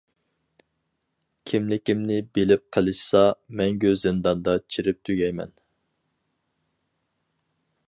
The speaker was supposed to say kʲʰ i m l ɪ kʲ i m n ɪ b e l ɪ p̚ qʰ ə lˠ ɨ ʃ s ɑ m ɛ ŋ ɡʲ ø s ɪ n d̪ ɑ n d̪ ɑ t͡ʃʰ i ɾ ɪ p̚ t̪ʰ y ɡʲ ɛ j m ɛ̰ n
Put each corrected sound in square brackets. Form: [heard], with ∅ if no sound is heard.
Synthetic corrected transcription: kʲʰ i m l ɪ kʲ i m n ɪ b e l ɪ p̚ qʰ ə lˠ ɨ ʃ s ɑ m ɛ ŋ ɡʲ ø [z] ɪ n d̪ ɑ n d̪ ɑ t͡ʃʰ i ɾ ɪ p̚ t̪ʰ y ɡʲ ɛ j m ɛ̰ n